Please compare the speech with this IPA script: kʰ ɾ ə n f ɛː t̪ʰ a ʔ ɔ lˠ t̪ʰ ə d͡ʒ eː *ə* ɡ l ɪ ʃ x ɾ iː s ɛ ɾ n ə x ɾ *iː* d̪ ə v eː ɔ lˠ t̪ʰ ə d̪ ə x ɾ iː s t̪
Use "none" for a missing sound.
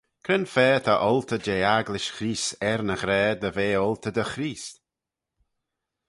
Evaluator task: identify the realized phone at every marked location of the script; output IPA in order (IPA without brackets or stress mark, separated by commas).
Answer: a, ɛː